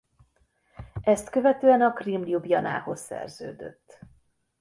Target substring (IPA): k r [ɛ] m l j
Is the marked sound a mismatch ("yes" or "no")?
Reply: yes